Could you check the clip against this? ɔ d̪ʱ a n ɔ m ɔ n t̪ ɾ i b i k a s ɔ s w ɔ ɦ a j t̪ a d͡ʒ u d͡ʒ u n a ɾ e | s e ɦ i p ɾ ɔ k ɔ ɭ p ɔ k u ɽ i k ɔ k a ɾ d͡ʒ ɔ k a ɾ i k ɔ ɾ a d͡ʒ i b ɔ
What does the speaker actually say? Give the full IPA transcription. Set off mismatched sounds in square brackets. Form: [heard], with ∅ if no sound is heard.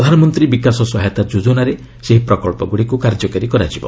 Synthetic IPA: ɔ d̪ʱ a n ɔ m ɔ n t̪ ɾ i b i k a s ɔ s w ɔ ɦ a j t̪ a d͡ʒ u d͡ʒ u n a ɾ e | s e ɦ i p ɾ ɔ k ɔ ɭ p ɔ [ɡ] u ɽ i k [u] k a ɾ d͡ʒ ɔ k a ɾ i k ɔ ɾ a d͡ʒ i b ɔ